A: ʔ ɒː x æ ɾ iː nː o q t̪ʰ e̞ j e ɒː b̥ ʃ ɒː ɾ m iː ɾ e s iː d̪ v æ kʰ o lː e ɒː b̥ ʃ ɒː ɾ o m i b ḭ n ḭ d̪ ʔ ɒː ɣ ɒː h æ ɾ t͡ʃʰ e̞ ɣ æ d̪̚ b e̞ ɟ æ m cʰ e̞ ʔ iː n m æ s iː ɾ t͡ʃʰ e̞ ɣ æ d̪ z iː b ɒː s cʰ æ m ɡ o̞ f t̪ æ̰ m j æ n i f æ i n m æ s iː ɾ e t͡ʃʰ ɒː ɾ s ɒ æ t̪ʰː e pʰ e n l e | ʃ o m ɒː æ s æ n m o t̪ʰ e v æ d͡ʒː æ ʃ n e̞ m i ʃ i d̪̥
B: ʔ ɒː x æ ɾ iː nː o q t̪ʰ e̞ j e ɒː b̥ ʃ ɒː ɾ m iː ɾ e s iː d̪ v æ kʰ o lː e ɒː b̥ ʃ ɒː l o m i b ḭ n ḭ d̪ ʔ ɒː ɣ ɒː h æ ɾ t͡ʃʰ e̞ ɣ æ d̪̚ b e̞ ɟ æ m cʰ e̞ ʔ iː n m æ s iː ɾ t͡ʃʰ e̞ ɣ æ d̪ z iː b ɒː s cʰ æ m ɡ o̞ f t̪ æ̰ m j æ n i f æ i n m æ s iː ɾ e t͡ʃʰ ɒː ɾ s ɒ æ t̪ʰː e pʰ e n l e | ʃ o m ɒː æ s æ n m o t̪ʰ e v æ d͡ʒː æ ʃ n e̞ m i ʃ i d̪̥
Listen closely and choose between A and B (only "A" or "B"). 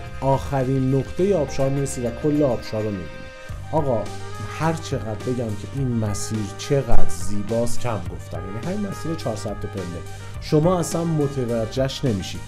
A